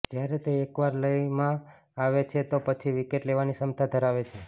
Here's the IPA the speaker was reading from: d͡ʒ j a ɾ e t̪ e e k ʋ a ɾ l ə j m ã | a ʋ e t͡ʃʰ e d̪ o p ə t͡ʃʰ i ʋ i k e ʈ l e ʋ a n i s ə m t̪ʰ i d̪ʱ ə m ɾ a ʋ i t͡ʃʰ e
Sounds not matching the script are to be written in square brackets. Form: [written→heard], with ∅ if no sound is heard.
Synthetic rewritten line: d͡ʒ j a ɾ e t̪ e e k ʋ a ɾ l ə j m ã | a ʋ e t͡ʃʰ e [d̪→t̪] o p ə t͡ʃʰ i ʋ i k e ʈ l e ʋ a n i s ə m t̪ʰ [i→a] d̪ʱ ə [m→∅] ɾ a ʋ [i→e] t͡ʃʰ e